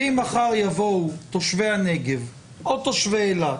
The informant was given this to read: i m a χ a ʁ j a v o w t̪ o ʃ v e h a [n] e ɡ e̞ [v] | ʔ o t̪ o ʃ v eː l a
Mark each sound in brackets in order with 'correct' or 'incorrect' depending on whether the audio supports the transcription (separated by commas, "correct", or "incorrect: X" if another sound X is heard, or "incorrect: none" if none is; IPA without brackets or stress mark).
correct, correct